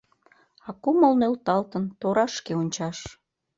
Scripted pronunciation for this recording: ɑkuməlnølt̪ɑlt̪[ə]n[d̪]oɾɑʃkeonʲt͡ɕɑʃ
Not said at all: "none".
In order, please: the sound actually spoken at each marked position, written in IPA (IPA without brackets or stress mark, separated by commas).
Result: ə, t̪